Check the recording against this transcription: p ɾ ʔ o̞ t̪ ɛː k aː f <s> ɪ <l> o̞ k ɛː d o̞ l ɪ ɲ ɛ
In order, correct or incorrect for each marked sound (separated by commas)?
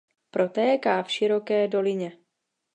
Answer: incorrect, incorrect